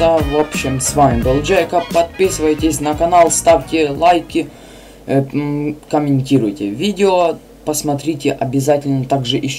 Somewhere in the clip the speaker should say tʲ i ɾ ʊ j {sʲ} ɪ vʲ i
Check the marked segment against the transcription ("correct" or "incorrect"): incorrect